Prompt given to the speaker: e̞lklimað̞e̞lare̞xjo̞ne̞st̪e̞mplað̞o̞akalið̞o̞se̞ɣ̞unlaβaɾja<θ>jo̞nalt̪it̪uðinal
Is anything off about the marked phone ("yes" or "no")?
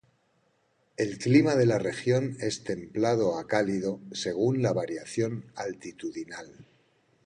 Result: no